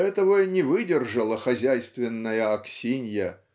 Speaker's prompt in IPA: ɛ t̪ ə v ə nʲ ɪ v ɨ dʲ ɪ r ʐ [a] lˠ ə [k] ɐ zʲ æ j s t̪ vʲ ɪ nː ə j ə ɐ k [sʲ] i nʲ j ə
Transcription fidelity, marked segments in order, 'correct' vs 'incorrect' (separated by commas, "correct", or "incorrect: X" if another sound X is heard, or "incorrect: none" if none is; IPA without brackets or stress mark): incorrect: ə, incorrect: x, correct